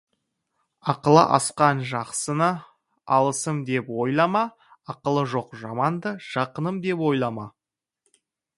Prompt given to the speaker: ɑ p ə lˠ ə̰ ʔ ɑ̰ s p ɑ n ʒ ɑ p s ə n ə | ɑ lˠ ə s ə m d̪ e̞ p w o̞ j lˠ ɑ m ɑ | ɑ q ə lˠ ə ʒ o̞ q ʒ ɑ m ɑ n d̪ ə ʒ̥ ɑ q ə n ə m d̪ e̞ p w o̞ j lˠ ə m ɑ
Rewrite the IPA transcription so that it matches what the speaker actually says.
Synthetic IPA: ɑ q ə lˠ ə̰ ʔ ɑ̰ s q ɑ n ʒ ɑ q s ə n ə | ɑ lˠ ə s ə m d̪ e̞ p w o̞ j lˠ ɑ m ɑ | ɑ q ə lˠ ə ʒ o̞ q ʒ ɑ m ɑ n d̪ ə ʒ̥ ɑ q ə n ə m d̪ e̞ p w o̞ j lˠ ɑ m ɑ